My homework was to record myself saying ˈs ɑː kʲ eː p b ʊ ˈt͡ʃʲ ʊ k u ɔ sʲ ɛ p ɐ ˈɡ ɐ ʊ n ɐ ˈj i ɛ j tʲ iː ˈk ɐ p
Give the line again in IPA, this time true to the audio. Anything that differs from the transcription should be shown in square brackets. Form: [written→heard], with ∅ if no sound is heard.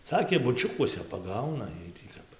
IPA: ˈs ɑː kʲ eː [p→∅] b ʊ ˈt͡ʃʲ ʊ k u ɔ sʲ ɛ p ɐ ˈɡ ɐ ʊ n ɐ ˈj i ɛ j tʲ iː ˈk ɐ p